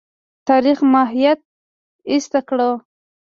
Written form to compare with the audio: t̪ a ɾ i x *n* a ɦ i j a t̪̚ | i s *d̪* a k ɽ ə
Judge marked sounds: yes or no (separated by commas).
no, no